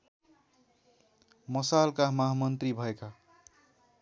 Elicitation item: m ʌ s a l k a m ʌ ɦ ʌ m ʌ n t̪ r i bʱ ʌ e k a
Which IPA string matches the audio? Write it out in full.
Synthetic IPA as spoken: m ʌ s a l k a m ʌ ɦ a m ʌ n t̪ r i bʱ ʌ e k a